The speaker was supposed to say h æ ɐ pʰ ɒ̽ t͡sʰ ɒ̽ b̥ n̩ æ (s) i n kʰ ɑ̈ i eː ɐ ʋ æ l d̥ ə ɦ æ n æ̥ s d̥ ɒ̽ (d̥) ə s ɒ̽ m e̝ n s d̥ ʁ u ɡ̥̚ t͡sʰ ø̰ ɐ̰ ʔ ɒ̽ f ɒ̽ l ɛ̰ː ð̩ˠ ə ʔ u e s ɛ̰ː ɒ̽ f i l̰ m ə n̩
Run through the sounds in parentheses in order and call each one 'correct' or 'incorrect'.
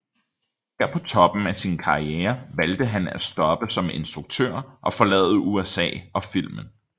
correct, incorrect: b̥

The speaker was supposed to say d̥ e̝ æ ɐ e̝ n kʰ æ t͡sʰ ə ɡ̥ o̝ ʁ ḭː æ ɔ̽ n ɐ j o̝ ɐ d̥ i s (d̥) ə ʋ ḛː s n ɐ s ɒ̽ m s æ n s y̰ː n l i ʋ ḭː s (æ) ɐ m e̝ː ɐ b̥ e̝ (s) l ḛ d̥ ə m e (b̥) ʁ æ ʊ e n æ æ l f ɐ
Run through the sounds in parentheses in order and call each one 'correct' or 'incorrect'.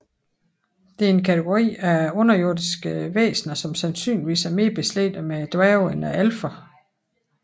incorrect: ɡ̥, correct, correct, incorrect: d̥

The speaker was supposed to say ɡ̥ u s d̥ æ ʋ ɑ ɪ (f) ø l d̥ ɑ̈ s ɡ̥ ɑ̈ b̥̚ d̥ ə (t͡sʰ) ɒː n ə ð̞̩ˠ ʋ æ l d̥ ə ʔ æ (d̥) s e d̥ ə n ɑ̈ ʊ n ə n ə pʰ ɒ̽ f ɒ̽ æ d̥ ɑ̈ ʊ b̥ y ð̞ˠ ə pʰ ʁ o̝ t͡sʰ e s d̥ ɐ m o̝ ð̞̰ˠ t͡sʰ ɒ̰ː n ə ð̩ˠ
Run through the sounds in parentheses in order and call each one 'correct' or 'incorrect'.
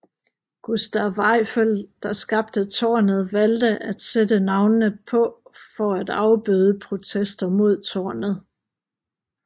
correct, correct, correct

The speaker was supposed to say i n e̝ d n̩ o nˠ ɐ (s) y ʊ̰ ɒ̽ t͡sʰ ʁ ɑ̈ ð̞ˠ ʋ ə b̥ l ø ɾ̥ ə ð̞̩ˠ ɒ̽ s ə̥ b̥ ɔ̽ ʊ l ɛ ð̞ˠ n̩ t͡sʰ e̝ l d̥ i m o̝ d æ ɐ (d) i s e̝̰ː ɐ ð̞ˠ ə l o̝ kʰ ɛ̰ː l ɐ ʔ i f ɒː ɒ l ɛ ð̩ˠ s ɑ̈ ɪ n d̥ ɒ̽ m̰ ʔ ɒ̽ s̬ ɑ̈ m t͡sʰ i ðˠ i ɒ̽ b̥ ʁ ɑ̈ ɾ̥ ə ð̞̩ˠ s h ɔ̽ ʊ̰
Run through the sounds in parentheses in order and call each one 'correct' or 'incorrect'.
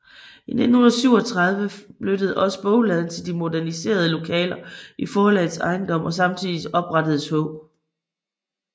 correct, incorrect: n

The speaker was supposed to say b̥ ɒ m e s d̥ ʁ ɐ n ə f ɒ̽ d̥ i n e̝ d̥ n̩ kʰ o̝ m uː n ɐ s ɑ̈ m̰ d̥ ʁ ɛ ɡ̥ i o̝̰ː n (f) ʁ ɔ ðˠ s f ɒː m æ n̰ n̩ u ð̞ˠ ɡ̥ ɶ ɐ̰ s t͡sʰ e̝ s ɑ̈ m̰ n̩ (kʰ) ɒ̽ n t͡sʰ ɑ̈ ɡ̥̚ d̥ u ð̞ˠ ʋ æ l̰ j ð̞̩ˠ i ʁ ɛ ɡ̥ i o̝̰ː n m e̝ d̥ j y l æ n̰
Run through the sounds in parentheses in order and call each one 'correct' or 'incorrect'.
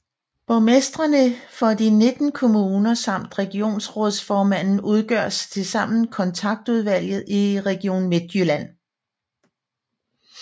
incorrect: s, correct

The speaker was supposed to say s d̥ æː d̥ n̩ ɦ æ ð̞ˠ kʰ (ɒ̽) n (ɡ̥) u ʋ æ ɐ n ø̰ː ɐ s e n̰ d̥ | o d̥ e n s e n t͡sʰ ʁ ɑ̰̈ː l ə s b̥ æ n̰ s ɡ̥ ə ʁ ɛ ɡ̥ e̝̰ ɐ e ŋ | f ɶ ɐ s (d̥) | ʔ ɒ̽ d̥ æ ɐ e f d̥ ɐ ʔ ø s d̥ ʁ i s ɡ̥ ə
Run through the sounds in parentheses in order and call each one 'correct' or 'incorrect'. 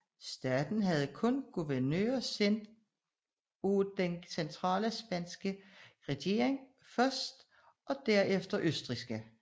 incorrect: ɔ̽, correct, correct

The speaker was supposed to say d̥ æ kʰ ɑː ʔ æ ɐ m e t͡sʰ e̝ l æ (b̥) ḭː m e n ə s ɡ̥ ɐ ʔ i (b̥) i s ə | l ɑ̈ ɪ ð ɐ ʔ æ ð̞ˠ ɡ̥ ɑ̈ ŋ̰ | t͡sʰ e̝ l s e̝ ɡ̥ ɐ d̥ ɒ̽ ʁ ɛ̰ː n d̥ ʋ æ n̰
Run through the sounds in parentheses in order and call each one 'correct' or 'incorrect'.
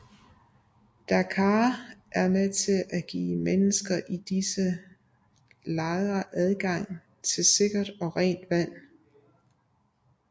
incorrect: ɡ̥, incorrect: d̥

